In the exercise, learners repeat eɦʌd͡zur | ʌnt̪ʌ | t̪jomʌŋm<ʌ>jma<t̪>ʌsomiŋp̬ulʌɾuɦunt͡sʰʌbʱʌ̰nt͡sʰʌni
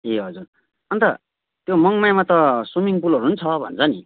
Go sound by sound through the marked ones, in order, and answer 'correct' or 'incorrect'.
incorrect, correct

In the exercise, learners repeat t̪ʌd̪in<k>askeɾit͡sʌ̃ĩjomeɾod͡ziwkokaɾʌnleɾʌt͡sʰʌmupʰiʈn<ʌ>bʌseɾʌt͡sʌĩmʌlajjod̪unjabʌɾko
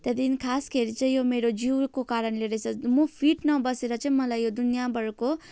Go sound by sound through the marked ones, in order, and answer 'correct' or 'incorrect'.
incorrect, correct

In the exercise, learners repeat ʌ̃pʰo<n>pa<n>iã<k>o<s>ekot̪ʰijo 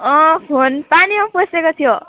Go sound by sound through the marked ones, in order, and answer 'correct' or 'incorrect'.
correct, correct, incorrect, correct

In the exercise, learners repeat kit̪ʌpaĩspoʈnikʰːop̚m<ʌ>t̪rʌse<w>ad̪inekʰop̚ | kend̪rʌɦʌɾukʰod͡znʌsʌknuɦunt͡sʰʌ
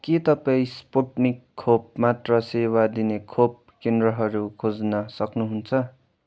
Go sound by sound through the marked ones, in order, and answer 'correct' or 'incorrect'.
incorrect, correct

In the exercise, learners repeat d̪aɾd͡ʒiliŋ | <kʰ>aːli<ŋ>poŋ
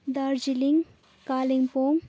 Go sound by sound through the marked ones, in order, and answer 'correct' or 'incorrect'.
incorrect, correct

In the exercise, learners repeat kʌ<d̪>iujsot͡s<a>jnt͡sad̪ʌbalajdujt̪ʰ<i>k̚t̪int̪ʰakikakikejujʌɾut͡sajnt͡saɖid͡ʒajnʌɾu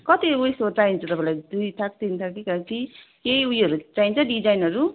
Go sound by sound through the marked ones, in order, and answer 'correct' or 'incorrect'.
incorrect, correct, incorrect

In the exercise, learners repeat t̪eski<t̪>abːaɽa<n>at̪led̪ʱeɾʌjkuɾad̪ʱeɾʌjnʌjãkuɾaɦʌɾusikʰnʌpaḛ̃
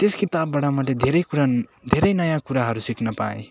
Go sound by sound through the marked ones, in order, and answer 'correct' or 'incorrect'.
correct, incorrect

